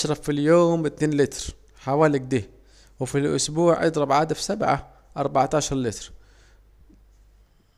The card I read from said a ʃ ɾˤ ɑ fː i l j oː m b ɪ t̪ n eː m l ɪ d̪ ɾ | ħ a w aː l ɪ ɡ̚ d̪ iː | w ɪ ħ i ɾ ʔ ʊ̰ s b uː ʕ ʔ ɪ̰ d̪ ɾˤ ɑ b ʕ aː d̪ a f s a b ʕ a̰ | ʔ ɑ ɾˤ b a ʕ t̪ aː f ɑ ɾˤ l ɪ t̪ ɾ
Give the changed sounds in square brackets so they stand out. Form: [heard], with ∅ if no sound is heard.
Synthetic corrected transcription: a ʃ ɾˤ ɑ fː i l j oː m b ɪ t̪ n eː [n] l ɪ [t̪] ɾ | ħ a w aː l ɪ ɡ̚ d̪ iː | w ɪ [f] i [l] ʔ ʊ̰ s b uː ʕ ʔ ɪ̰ d̪ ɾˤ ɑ b ʕ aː d̪ a f s a b ʕ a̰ | ʔ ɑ ɾˤ b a ʕ t̪ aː [ʃ] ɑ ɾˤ l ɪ t̪ ɾ